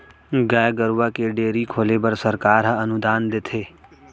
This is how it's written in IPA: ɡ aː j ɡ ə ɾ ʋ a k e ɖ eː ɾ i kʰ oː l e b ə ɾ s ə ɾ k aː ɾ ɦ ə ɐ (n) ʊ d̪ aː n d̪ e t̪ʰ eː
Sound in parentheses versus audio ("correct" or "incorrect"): correct